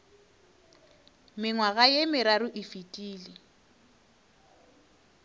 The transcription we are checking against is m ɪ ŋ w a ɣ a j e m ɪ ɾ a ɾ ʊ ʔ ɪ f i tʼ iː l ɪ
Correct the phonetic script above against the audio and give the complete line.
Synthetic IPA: m ɪ ŋ w a ɣ a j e m ɪ ɾ a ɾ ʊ ʔ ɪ f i tʼ iː l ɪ